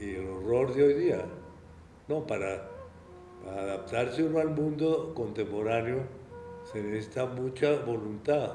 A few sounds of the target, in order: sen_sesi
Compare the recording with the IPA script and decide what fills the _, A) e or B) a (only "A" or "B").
A